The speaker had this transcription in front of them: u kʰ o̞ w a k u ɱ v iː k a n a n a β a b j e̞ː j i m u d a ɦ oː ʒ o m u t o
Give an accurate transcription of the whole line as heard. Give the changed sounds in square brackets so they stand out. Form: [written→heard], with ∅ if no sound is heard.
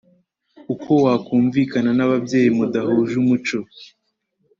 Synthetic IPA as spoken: u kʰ o̞ w a k [u→uː] ɱ v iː k a n a n a β a b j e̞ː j i m u d a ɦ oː ʒ [o→u] m u [t→t͡ʃ] o